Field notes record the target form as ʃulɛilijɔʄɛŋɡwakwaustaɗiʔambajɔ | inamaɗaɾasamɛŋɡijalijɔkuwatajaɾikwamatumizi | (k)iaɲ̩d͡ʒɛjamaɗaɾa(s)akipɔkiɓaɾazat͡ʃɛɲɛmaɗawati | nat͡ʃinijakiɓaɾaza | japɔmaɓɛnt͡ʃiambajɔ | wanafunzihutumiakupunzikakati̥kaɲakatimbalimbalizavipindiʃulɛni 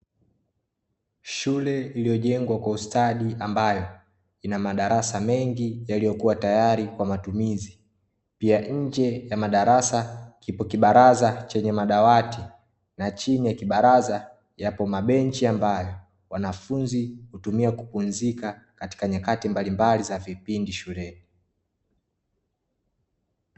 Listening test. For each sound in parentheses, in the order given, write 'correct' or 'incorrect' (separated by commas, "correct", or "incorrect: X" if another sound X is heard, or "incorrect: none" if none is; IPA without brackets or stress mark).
incorrect: p, correct